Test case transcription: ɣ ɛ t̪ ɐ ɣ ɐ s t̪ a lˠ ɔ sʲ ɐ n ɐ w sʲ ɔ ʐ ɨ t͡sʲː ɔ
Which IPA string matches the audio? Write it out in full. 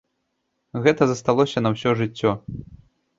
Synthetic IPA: ɣ ɛ t̪ ɐ z ɐ s t̪ a lˠ ɔ sʲ ɐ n ɐ w sʲ ɔ ʐ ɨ t͡sʲː ɔ